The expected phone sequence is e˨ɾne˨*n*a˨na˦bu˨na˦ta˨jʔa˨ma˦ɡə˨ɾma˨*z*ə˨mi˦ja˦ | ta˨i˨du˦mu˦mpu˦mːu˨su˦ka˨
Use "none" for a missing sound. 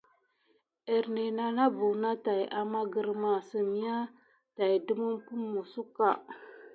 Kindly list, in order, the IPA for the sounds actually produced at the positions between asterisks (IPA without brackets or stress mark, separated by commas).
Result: n, s